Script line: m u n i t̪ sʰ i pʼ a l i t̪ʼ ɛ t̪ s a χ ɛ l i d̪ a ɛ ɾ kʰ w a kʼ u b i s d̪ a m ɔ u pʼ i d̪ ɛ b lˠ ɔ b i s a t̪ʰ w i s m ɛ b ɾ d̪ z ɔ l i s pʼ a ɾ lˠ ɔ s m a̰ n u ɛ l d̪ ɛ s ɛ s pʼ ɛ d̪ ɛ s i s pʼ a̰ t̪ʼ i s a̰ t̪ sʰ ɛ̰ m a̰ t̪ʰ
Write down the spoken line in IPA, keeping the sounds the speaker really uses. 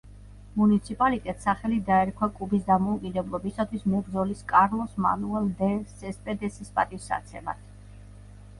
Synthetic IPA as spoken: m u n i t̪ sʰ i pʼ a l i t̪ʼ ɛ t̪ s a χ ɛ l i d̪ a ɛ ɾ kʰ w a kʼ u b i s d̪ a m ɔ u kʼ i d̪ ɛ b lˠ ɔ b i s a t̪ʰ w i s m ɛ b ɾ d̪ z ɔ l i s kʼ a ɾ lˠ ɔ s m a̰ n u ɛ l d̪ ɛ s ɛ s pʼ ɛ d̪ ɛ s i s pʼ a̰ t̪ʼ i s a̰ t̪ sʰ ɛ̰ m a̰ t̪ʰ